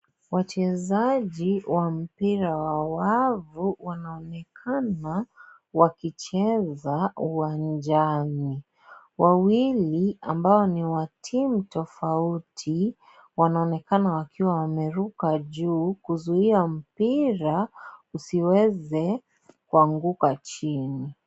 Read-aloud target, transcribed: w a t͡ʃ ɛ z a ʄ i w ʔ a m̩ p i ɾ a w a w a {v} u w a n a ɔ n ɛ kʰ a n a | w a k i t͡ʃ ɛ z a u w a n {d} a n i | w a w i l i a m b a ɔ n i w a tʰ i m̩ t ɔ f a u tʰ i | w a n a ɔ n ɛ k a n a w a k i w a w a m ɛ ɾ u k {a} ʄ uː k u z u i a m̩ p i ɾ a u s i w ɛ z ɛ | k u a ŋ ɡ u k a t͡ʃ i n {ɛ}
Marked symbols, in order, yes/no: yes, no, yes, no

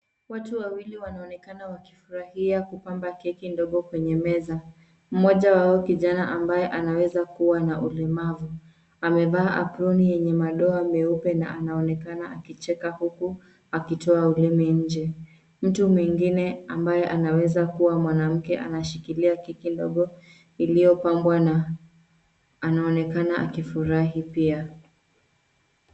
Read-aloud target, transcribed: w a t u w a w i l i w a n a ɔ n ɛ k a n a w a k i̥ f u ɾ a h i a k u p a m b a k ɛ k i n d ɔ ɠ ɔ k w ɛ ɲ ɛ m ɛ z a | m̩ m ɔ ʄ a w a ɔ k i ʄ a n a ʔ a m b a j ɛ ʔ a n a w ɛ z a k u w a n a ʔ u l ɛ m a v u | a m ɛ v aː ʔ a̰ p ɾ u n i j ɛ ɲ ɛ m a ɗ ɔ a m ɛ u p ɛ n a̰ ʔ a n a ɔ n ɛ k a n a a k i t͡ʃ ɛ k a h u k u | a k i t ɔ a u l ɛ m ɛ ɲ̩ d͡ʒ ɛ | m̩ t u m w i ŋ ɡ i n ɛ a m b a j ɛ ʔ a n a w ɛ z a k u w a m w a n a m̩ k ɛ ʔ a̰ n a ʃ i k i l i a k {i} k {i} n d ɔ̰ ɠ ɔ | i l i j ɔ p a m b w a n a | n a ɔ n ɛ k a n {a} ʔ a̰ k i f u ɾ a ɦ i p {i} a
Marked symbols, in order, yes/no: yes, yes, yes, yes

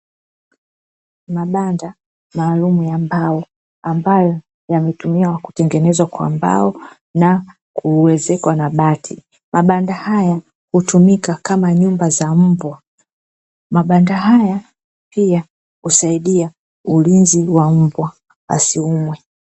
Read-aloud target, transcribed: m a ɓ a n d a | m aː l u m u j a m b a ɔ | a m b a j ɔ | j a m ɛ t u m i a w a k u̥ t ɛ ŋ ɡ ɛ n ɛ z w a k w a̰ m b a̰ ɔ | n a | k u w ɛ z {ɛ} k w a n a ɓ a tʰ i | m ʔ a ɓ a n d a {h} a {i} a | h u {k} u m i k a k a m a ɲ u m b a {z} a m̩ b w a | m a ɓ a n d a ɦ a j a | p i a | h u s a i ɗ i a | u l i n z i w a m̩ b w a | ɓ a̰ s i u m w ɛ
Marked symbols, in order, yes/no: yes, yes, no, no, yes

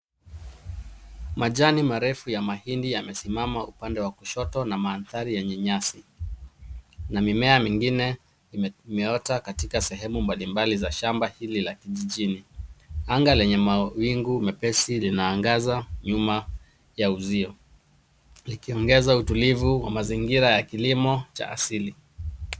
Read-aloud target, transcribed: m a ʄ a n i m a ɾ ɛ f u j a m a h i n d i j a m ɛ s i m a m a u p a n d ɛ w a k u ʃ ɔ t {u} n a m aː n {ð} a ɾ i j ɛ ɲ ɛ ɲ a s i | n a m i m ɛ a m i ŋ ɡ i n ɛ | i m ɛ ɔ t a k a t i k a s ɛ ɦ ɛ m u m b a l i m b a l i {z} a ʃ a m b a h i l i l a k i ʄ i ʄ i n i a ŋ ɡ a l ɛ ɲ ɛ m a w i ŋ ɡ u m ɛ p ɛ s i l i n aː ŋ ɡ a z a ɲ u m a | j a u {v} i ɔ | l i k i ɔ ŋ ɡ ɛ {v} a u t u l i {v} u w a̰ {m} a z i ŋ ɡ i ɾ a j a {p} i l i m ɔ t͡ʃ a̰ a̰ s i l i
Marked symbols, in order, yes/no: no, no, yes, no, no, yes, yes, no

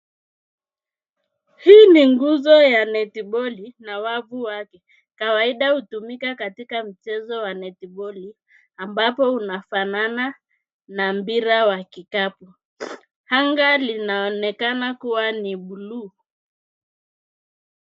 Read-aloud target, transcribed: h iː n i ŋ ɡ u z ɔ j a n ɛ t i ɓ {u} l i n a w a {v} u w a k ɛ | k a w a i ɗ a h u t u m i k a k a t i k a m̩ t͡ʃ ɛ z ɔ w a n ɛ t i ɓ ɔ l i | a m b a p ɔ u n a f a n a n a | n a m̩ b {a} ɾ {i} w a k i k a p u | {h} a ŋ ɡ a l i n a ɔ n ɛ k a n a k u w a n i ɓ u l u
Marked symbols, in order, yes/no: no, yes, no, no, yes

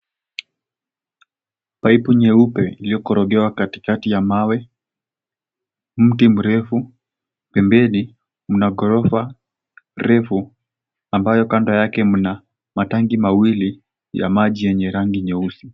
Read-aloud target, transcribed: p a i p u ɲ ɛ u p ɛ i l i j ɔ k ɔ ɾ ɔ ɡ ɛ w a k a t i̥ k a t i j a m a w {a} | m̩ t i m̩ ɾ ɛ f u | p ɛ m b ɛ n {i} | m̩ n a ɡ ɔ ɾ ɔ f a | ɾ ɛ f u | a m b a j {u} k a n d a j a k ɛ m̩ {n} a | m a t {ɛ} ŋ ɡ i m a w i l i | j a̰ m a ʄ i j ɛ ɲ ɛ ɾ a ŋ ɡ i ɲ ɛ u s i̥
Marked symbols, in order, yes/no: no, yes, no, yes, no

